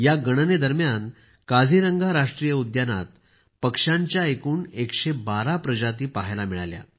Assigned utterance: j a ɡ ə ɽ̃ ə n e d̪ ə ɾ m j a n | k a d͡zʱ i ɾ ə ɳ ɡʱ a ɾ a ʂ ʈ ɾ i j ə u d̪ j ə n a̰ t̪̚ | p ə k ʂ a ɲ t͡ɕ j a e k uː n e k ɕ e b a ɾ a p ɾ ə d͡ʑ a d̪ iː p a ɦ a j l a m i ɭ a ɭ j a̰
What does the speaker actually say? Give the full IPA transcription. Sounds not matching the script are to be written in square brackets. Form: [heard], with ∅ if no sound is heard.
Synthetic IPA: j a ɡ ə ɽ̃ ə n e d̪ ə ɾ m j a n | k a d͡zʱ i ɾ ə [ŋ] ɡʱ a ɾ a ʂ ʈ ɾ i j ə u d̪ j [a] n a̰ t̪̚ | p ə k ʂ a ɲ t͡ɕ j a e k uː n e k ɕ e b a ɾ a p ɾ ə d͡ʑ a [t̪] iː p a ɦ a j l a m i ɭ a [l] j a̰